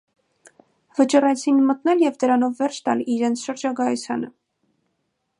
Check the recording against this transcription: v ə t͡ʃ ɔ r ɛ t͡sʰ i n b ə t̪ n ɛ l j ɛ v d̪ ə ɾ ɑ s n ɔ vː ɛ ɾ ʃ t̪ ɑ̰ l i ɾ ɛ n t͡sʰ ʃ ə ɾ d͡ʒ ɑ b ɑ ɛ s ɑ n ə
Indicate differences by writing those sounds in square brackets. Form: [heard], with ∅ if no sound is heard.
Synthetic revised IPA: v ə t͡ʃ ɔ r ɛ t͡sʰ i n [m] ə t̪ n ɛ l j ɛ v d̪ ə ɾ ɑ [∅] n ɔ vː ɛ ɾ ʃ t̪ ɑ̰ l i ɾ ɛ n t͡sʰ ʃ ə ɾ d͡ʒ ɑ [ɡ] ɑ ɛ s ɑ n ə